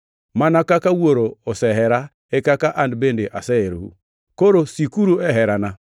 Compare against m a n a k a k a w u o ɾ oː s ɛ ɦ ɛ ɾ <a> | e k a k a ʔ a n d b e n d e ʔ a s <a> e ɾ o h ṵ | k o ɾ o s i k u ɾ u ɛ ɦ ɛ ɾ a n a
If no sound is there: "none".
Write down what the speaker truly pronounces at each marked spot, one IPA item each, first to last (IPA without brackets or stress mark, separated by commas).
a, ɛ